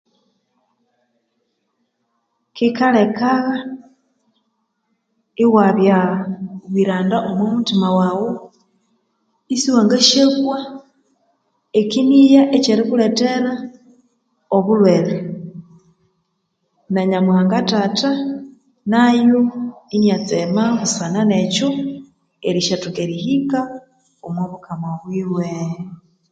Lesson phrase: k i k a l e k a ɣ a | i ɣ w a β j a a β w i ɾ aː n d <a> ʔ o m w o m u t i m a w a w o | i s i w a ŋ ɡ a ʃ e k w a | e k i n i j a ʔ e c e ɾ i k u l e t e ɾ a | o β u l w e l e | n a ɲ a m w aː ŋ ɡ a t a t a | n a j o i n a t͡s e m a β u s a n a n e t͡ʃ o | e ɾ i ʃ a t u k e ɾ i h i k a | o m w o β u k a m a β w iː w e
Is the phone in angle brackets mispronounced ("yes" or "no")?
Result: no